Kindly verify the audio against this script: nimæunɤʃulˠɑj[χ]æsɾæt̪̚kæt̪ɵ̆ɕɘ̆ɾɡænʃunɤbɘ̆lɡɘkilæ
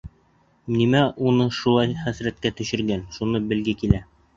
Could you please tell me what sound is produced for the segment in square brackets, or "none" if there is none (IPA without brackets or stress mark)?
χ